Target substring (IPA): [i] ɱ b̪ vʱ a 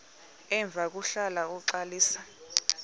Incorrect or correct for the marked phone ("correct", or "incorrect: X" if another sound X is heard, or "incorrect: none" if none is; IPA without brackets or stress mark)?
incorrect: ɛ